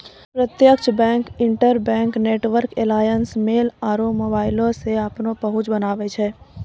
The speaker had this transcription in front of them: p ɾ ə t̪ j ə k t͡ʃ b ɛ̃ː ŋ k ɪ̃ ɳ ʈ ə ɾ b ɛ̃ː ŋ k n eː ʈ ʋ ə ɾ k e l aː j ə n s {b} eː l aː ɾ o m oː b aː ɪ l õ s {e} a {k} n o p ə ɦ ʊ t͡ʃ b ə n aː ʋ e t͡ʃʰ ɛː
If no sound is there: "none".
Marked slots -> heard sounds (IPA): m, e, p

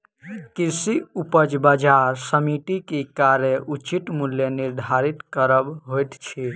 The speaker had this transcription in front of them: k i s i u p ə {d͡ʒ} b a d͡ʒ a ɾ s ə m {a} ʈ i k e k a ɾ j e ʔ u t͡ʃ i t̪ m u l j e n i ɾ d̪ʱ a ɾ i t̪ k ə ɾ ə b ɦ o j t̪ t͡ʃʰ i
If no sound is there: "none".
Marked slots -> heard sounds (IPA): d͡ʒ, i

